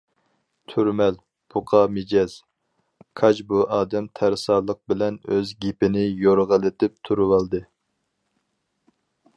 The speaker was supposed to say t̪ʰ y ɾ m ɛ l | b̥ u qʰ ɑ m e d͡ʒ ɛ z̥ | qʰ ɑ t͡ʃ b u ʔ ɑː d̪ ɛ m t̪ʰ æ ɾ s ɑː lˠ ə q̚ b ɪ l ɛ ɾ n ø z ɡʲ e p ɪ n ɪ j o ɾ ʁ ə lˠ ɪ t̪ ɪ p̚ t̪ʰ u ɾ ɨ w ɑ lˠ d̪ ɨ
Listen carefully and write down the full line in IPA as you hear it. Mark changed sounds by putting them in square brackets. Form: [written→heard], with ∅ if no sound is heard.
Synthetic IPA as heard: t̪ʰ y ɾ m ɛ l | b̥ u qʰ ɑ m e d͡ʒ ɛ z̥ | [qʰ→kʰ] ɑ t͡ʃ b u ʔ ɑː d̪ ɛ m t̪ʰ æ ɾ s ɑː lˠ ə q̚ b ɪ l ɛ [ɾ→∅] n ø z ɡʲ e p ɪ n ɪ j o ɾ ʁ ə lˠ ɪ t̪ ɪ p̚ t̪ʰ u ɾ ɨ w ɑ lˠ d̪ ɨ